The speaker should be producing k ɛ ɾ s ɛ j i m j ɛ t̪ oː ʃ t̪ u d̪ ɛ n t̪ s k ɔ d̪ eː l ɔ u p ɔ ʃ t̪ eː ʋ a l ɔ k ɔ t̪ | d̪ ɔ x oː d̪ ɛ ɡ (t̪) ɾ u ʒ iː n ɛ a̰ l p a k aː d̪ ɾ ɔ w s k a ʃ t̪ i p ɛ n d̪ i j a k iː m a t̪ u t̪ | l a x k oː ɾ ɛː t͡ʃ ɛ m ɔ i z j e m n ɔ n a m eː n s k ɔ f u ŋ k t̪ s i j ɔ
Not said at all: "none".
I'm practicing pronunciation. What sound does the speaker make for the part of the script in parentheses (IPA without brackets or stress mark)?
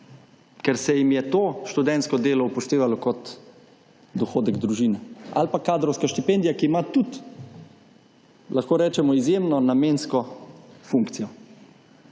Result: d̪